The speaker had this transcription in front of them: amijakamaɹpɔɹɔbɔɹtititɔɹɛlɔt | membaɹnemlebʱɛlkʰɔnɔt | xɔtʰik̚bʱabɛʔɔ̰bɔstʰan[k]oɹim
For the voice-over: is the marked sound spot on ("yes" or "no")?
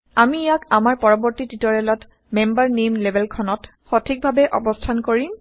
yes